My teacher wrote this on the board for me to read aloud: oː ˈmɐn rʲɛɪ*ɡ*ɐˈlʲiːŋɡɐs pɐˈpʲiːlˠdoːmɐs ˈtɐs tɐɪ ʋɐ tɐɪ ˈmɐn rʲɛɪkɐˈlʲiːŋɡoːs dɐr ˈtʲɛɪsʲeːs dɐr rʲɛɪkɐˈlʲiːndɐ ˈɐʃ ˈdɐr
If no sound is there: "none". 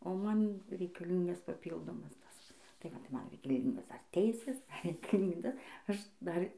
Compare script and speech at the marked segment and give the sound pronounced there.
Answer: k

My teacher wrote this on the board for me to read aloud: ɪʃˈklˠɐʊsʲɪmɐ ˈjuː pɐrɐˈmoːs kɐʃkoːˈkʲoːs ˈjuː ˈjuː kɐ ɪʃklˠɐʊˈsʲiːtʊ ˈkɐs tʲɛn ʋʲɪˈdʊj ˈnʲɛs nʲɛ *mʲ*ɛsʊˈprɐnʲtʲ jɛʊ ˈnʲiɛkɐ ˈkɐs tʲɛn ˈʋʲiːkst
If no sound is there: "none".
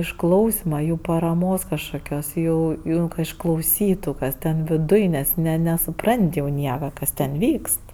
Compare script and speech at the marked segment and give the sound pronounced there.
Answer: nʲ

